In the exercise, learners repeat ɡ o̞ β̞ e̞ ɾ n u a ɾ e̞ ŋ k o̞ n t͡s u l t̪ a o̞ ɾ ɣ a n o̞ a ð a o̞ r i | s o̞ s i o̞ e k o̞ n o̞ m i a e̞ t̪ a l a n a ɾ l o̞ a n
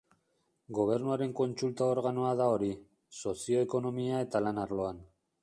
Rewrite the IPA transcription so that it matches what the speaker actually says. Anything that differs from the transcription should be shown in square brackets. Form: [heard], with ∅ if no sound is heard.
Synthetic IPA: ɡ o̞ β̞ e̞ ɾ n u a ɾ e̞ ŋ k o̞ n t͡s u l t̪ a o̞ ɾ ɣ a n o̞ a ð a o̞ [ɾ] i | s o̞ s i o̞ e k o̞ n o̞ m i a e̞ t̪ a l a n a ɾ l o̞ a n